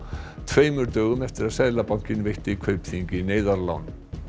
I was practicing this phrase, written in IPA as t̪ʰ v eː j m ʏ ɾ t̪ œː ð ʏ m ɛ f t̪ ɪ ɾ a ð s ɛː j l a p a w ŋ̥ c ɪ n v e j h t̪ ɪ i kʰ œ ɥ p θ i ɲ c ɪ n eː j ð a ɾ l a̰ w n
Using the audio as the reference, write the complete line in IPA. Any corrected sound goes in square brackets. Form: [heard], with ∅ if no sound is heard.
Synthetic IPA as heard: t̪ʰ v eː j m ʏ ɾ t̪ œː [ɣ] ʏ m ɛ f t̪ ɪ ɾ a ð s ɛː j l a p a w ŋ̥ c ɪ n v e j h t̪ ɪ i kʰ œ ɥ p θ i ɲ c ɪ n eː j ð a ɾ l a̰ w n